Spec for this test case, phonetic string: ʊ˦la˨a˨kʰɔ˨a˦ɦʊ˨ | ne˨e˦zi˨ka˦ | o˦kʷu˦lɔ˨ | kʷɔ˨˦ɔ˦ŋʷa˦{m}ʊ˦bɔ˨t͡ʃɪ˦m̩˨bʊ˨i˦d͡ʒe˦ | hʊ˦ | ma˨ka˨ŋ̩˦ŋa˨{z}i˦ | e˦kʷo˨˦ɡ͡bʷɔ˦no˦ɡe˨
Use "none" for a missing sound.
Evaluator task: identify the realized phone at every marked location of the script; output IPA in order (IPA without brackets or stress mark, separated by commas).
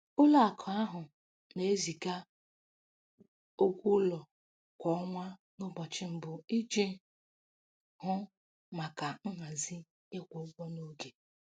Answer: n, z